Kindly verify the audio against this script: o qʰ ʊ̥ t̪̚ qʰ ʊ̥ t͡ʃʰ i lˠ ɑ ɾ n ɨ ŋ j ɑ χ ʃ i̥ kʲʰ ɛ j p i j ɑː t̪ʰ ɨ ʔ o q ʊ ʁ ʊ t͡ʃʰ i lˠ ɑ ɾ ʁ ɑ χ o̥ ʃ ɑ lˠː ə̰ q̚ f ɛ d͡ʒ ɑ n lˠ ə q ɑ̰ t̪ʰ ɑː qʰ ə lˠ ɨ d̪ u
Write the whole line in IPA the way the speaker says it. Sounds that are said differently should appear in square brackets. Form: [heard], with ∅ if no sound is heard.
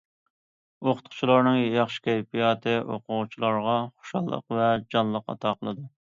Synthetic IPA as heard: o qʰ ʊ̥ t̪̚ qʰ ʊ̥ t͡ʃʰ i lˠ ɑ ɾ n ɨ ŋ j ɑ χ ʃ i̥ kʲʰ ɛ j p i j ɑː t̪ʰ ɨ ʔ o q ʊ ʁ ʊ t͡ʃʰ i lˠ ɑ ɾ ʁ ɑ χ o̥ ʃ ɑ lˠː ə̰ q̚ [v] ɛ d͡ʒ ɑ n lˠ ə q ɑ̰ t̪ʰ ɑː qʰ ə lˠ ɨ d̪ u